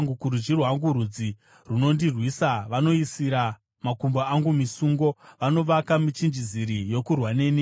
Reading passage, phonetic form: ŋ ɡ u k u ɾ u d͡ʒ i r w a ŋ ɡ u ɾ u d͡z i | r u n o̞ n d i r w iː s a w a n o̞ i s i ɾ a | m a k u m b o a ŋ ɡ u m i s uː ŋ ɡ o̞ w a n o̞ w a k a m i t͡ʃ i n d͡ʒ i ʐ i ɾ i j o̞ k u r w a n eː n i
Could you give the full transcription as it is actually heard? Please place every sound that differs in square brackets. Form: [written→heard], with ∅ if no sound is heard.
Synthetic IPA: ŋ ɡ u k u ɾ u d͡ʒ i r w a ŋ ɡ u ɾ u d͡z i | r u n o̞ n d i r w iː s a [w→ʋ] a n o̞ i s i ɾ a | m a k u m b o a ŋ ɡ u m i s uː ŋ ɡ o̞ [w→ʋ] a n o̞ [w→ʋ] a k a m i t͡ʃ i n d͡ʒ i [ʐ→z] i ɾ i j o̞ k u r w a n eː n i

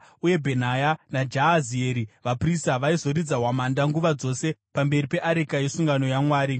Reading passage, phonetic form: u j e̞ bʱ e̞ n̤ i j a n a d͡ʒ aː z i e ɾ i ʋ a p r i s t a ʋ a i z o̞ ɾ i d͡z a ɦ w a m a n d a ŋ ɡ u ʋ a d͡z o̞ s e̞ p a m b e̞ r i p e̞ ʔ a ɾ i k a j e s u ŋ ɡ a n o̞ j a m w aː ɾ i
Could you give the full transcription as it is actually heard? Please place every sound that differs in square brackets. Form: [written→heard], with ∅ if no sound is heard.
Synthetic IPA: u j e̞ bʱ e̞ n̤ [i→a] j a n a d͡ʒ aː z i e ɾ i ʋ a p r i s t a ʋ a i z o̞ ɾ i d͡z a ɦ w a m a n d a ŋ ɡ u ʋ a d͡z o̞ s e̞ p a m b e̞ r i p e̞ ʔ a ɾ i k a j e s u ŋ ɡ a n o̞ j a m w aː ɾ i

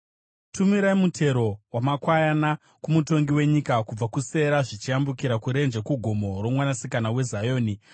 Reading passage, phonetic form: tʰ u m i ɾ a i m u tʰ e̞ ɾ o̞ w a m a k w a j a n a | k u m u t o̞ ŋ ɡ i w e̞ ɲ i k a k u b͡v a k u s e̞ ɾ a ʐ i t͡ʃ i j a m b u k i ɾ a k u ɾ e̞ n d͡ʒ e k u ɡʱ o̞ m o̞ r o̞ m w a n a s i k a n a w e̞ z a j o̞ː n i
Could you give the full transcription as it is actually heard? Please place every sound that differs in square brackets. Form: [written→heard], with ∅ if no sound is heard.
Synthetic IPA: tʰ u m i ɾ a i m u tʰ e̞ ɾ o̞ w a m a k w a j a n a | k u m u t o̞ ŋ ɡ i w e̞ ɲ i k a k u b͡v a k u s e̞ ɾ a ʐ i t͡ʃ i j a m b u k i ɾ a k u ɾ e̞ n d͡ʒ e k u ɡʱ o̞ m o̞ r o̞ m w a n a s i k a n a w e̞ z a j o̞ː n i

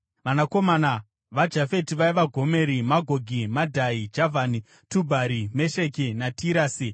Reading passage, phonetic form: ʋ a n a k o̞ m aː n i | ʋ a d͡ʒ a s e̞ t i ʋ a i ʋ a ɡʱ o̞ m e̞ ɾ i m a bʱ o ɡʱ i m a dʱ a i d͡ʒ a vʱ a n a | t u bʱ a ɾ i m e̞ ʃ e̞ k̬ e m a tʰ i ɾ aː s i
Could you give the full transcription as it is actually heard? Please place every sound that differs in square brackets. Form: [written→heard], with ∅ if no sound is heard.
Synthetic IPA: ʋ a n a k o̞ m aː n [i→a] | ʋ a d͡ʒ a [s→f] e̞ t i ʋ a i ʋ a ɡʱ o̞ m e̞ ɾ i m a [bʱ→ɡʱ] o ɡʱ i m a dʱ a i d͡ʒ a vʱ a n [a→i] | t u bʱ a ɾ i m e̞ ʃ e̞ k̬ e [m→n] a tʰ i ɾ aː s i

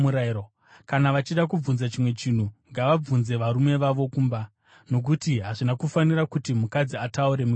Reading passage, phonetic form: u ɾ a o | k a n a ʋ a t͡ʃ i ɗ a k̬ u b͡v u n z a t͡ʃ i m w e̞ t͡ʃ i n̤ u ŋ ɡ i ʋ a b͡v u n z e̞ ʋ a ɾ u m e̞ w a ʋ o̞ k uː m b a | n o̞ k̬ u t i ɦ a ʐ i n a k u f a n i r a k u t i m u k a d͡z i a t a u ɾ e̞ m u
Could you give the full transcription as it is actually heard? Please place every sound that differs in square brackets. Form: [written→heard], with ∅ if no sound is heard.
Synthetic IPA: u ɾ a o | k a n a ʋ a t͡ʃ i ɗ a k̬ u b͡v u n z a t͡ʃ i m w e̞ t͡ʃ i n̤ u ŋ ɡ [i→a] ʋ a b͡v u n z e̞ ʋ a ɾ u m e̞ [w→ʋ] a ʋ o̞ k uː m b a | n o̞ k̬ u t i ɦ a ʐ i n a k u f a n i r a k u t i m u k a d͡z i a t a u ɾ e̞ m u

